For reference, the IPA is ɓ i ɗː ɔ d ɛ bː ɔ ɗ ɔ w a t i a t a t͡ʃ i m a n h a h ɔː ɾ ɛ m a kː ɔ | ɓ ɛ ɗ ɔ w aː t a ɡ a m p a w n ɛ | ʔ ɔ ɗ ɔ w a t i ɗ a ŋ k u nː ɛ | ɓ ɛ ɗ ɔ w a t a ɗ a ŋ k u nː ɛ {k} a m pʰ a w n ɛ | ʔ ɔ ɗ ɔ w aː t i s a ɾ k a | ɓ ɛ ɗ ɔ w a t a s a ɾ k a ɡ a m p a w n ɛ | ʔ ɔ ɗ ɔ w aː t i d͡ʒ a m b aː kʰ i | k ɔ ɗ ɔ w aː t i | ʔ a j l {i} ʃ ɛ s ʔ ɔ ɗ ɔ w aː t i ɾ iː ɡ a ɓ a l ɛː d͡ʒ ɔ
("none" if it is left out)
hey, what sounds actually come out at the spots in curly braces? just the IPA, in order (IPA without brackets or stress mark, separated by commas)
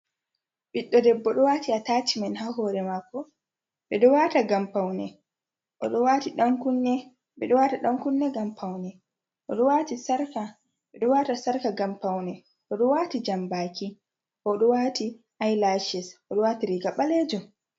ɡ, a